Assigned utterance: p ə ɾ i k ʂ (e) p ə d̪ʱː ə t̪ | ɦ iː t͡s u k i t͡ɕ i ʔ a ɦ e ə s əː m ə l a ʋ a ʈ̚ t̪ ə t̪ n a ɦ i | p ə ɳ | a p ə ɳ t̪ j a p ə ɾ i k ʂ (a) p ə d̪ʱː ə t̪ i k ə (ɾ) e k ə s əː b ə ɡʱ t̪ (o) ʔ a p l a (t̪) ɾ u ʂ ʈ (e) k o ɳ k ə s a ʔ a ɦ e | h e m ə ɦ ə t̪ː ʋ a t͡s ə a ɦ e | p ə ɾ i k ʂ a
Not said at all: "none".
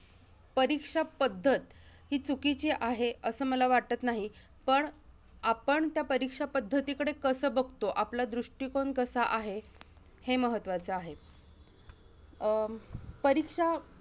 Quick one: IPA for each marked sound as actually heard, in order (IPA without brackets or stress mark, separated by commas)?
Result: a, a, ɽ, o, d̪, i